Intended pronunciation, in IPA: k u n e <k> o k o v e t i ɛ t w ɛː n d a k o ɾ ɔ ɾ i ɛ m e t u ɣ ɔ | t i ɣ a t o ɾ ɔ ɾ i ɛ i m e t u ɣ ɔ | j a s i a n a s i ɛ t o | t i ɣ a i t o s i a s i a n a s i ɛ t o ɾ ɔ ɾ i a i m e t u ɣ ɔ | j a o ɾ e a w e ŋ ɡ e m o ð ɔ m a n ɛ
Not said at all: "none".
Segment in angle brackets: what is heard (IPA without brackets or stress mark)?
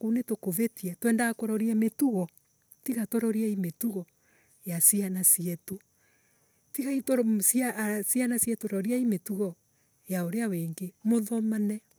t